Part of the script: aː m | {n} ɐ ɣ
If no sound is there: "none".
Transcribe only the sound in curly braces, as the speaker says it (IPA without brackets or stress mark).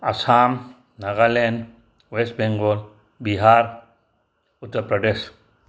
n